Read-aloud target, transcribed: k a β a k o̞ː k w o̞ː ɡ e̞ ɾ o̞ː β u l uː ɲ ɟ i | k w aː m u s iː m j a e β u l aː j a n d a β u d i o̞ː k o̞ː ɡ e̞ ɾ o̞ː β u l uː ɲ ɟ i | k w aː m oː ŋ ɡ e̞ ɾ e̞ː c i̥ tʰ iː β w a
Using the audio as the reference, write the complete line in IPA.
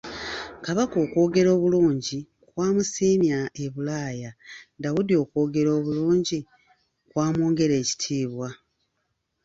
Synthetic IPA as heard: k a β a k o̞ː k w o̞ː ɡ e̞ ɾ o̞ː β u l uː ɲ ɟ i | k w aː m u s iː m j a e β u l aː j a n d a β u d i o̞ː k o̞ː ɡ e̞ ɾ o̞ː β u l uː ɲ ɟ i | k w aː m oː ŋ ɡ e̞ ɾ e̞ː c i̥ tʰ iː β w a